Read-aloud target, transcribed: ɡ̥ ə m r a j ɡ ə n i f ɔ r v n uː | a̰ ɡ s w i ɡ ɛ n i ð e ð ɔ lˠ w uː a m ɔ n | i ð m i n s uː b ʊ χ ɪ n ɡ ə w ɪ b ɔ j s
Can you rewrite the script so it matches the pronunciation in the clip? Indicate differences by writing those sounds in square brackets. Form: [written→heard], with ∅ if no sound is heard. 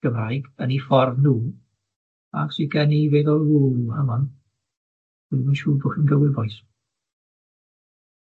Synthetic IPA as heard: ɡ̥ ə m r a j ɡ ə n i f ɔ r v n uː | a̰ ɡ s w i ɡ ɛ n i [ð→v] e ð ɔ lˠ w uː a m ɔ n | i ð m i n [s→ʃ] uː b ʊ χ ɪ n ɡ ə w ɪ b ɔ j s